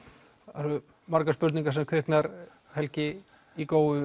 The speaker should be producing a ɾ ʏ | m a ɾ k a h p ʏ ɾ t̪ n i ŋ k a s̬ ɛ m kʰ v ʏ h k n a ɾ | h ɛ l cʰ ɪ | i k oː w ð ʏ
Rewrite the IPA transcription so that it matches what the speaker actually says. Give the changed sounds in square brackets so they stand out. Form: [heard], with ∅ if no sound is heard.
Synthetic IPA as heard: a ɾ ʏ | m a ɾ k a [s] p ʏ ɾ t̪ n i ŋ k a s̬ ɛ m kʰ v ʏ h k n a ɾ | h ɛ l [c] ɪ | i k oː w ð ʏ